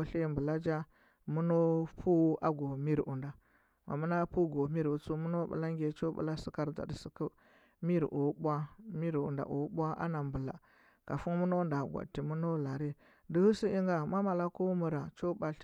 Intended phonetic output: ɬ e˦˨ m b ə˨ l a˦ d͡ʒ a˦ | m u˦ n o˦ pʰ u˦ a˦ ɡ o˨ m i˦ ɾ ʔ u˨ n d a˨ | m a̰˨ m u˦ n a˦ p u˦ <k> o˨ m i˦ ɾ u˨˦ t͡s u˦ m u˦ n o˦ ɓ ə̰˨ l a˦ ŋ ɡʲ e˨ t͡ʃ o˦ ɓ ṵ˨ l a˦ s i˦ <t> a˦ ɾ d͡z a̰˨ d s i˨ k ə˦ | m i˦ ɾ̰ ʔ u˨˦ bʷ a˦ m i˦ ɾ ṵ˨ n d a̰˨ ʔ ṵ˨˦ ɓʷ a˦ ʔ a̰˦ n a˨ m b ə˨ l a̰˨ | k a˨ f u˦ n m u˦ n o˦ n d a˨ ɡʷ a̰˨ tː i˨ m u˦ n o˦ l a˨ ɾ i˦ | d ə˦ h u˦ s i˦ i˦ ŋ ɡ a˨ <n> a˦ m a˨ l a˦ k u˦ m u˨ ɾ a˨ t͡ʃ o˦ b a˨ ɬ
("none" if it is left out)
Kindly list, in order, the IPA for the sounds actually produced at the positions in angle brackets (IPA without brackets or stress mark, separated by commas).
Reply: ɡ, k, m